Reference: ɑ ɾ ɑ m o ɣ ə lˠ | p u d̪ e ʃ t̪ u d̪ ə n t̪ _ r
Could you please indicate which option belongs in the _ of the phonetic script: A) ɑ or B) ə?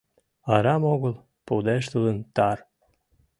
A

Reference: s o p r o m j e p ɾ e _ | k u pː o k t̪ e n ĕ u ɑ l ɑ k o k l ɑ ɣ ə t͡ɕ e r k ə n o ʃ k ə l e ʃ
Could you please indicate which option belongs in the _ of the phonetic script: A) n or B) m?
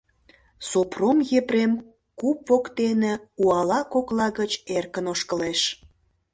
B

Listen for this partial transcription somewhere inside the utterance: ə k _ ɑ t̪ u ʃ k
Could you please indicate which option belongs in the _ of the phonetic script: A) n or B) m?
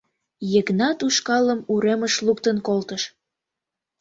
A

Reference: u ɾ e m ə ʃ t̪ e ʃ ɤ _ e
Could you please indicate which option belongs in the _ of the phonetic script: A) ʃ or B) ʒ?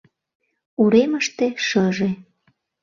B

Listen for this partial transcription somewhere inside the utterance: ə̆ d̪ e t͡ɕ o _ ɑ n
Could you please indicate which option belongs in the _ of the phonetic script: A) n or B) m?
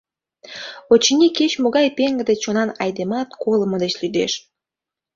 A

